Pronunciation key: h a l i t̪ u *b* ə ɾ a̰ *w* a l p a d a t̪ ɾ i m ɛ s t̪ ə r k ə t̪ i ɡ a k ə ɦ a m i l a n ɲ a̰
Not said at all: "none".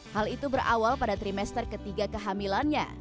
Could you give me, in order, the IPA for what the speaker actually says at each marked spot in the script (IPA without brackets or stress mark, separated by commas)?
b, w